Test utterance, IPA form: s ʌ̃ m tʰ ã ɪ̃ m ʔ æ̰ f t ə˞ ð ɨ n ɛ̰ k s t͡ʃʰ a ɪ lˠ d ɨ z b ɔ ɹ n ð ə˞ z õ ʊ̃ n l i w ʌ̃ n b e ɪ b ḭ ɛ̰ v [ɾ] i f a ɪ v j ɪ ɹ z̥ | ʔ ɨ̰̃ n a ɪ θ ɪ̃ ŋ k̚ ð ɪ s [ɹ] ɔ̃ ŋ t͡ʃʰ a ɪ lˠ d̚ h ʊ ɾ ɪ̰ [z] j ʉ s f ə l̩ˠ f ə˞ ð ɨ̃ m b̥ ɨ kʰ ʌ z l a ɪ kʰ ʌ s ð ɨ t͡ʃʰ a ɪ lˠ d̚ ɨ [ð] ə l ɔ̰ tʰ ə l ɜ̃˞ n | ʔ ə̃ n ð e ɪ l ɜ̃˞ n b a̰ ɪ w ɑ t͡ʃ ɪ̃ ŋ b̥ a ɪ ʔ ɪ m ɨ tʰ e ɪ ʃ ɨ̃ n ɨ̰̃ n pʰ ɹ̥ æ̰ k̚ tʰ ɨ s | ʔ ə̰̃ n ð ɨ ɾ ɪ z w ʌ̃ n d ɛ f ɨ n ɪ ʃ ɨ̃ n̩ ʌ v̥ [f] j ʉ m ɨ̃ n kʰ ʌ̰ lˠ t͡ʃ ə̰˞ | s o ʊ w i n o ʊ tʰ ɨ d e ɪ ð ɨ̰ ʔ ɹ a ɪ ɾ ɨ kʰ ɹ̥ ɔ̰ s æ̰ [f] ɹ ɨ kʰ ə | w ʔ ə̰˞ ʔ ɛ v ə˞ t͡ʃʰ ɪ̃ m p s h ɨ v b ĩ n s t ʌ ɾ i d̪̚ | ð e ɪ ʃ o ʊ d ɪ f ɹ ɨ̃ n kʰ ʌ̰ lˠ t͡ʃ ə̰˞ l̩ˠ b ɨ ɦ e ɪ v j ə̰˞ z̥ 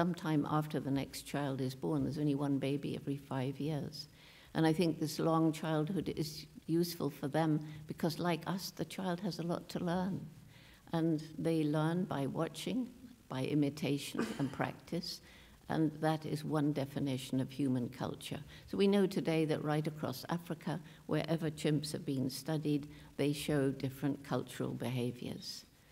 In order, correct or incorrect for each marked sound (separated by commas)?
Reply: incorrect, incorrect, correct, incorrect, incorrect, correct